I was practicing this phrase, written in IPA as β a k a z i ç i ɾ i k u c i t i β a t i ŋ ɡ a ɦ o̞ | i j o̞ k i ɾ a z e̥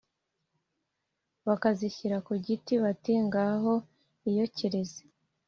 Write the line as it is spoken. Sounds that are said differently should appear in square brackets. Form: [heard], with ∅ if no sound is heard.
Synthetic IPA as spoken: β a k a z i ç i ɾ [a] k u [ɟ] i t i β a t i ŋ ɡ a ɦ o̞ | i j o̞ [c] i ɾ [e] z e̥